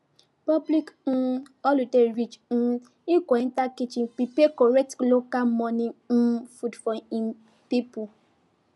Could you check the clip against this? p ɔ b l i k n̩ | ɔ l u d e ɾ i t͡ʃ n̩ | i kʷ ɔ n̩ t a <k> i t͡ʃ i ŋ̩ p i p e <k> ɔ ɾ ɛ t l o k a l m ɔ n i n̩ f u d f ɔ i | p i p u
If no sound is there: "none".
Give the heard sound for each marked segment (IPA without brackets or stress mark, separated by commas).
k, k